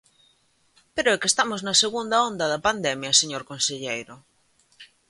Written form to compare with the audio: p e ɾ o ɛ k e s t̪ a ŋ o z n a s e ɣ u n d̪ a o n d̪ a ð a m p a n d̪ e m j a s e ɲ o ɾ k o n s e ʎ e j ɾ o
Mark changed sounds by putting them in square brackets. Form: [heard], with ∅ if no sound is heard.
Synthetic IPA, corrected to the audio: p e ɾ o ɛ k e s t̪ a [m] o z n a s e ɣ u n d̪ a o n d̪ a ð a [∅] p a n d̪ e m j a s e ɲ o ɾ k o n s e ʎ e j ɾ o